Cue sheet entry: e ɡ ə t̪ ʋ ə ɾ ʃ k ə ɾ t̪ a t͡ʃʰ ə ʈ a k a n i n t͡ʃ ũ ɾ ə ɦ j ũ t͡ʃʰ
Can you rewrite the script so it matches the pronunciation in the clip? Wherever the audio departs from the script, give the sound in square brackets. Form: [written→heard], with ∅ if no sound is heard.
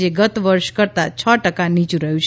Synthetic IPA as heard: e ɡ ə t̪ ʋ ə ɾ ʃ k ə ɾ t̪ a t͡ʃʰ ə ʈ [a→ə] k a n i [n→∅] t͡ʃ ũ ɾ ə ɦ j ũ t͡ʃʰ